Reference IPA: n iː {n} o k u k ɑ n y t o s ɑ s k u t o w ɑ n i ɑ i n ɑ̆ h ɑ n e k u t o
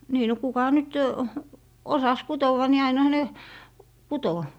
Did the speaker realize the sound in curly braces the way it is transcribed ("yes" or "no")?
yes